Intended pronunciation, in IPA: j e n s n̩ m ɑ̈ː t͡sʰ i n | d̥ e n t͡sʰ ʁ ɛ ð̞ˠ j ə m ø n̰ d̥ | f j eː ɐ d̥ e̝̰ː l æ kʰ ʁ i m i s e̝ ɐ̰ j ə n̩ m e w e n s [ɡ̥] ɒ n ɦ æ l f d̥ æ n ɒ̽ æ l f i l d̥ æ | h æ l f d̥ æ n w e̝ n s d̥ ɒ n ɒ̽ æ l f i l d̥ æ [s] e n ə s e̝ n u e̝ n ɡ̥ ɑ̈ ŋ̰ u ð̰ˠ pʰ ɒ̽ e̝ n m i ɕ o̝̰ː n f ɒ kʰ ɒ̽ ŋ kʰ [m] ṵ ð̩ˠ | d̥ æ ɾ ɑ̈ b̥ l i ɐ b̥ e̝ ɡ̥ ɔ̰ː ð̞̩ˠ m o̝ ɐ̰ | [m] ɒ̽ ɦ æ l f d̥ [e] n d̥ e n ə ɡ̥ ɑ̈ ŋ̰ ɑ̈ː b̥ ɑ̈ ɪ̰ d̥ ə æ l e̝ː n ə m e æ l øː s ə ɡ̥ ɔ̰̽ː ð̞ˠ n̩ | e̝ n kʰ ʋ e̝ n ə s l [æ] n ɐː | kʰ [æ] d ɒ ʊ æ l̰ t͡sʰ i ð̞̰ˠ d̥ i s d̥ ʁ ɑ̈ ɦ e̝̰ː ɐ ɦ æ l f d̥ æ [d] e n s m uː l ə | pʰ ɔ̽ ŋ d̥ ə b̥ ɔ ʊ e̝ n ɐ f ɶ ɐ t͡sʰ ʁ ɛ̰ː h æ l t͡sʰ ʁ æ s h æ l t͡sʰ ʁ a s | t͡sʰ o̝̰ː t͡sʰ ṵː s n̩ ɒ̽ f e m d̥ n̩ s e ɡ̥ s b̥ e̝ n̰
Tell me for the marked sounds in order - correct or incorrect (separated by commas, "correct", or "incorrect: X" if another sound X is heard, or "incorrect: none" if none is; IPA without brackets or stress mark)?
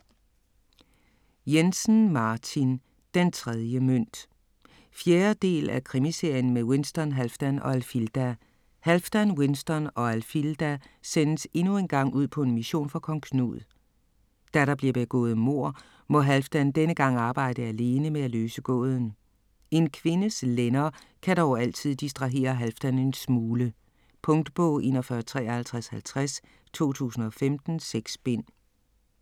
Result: incorrect: d̥, correct, incorrect: n, correct, incorrect: æ, incorrect: e, correct, incorrect: n